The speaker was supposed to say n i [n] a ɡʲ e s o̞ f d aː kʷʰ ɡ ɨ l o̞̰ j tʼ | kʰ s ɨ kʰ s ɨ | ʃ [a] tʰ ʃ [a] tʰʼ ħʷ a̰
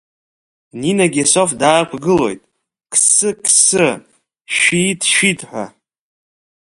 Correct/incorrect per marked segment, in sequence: correct, incorrect: i, incorrect: i

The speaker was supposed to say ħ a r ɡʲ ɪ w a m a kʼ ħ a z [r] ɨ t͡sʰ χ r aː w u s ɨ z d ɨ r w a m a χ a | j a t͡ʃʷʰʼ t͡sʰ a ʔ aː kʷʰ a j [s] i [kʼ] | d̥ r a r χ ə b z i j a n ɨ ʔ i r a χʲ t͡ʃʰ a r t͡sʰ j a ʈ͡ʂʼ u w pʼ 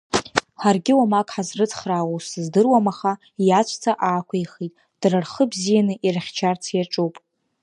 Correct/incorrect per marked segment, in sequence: correct, incorrect: χ, incorrect: tʼ

